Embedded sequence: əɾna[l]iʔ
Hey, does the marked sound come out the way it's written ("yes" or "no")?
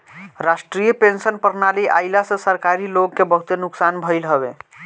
yes